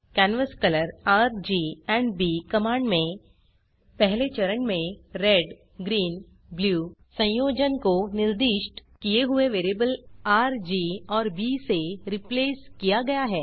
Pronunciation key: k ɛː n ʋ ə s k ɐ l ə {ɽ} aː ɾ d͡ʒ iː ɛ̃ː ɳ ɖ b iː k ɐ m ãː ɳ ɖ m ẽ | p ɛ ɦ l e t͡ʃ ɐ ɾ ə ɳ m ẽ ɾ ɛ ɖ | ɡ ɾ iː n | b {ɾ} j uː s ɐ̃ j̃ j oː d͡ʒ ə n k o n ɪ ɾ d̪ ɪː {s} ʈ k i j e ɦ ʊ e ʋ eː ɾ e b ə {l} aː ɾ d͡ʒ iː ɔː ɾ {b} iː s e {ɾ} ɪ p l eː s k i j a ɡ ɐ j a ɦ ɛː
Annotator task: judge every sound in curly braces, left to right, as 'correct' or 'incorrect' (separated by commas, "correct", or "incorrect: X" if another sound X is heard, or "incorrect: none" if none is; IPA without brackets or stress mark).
incorrect: ɾ, incorrect: l, incorrect: ʃ, correct, correct, correct